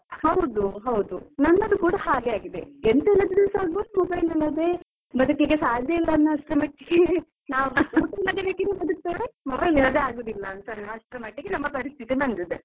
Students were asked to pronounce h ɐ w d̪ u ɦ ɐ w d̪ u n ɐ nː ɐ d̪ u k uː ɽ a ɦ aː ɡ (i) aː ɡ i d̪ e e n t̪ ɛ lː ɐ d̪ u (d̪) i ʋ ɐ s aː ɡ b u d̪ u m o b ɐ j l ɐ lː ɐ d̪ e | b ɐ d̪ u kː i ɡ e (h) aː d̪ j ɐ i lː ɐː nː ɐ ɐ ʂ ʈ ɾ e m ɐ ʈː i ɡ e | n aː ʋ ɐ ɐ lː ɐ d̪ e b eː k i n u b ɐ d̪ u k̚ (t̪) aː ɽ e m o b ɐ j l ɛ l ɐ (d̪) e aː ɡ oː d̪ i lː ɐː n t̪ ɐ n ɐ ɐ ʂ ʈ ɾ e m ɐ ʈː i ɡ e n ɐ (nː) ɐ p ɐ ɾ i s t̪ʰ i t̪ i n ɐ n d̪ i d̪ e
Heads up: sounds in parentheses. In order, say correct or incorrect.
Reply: incorrect: e, correct, incorrect: s, correct, correct, incorrect: mː

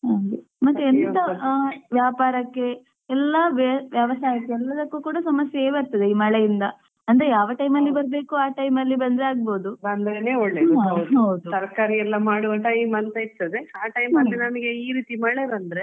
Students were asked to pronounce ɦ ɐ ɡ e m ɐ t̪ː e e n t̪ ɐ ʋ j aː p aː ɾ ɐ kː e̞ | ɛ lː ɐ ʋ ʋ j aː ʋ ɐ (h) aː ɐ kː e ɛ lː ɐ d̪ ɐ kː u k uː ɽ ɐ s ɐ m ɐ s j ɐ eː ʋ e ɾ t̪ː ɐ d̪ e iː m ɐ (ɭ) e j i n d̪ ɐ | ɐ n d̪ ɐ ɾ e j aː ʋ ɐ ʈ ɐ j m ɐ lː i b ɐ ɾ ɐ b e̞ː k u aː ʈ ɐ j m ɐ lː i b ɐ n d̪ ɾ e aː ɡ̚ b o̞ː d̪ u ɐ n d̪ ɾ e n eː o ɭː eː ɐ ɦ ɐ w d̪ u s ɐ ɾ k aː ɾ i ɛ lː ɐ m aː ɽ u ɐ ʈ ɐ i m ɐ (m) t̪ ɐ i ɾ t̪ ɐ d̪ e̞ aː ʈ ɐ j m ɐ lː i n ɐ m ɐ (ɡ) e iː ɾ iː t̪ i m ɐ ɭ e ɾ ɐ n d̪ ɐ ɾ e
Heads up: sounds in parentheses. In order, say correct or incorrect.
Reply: incorrect: s, correct, incorrect: n, correct

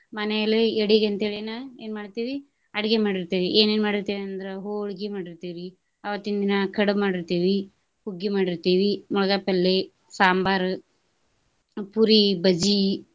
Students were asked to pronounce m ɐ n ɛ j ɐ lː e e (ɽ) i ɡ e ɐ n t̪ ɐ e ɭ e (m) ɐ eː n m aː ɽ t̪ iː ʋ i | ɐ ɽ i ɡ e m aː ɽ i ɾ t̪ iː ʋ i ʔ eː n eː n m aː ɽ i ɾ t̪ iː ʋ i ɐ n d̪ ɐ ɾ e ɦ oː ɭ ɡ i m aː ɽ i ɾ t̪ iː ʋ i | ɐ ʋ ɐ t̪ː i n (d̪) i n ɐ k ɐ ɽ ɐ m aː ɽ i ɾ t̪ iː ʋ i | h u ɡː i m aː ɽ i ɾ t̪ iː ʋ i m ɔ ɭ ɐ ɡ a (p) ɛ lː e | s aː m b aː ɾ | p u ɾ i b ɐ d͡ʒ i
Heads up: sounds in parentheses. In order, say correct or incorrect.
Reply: correct, incorrect: n, correct, correct

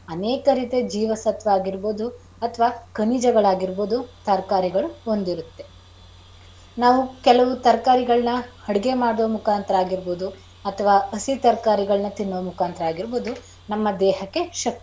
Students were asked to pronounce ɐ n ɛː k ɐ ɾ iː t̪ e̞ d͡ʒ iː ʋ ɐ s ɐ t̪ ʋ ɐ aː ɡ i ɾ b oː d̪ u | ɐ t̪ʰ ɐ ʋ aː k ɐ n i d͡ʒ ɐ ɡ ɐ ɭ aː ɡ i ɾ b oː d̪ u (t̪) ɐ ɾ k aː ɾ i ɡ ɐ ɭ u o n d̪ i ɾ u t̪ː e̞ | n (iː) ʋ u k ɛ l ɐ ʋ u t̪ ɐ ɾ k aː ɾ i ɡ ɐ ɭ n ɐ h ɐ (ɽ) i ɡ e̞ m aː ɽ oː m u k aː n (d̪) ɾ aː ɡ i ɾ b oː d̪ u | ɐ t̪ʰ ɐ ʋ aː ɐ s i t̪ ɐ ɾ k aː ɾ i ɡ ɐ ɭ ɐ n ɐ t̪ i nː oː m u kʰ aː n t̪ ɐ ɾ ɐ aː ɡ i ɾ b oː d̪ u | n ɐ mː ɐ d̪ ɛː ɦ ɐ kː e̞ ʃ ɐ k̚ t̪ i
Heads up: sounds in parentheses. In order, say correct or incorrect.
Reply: correct, incorrect: aː, correct, incorrect: t̪

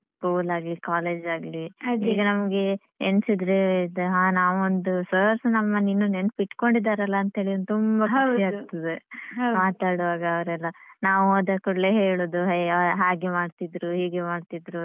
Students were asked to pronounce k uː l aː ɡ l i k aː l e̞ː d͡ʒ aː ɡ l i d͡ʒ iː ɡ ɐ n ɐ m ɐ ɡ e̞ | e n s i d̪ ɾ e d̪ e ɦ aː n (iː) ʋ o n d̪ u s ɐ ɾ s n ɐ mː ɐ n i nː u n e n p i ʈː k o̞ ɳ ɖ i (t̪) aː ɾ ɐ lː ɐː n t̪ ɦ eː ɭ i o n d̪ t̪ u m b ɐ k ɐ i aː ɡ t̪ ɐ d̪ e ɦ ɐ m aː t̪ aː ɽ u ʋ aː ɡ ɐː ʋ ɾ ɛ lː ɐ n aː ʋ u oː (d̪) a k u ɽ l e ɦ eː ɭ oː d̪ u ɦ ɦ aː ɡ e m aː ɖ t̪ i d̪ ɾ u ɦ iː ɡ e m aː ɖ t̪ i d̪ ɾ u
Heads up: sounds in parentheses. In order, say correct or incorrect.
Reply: incorrect: aː, incorrect: d̪, correct

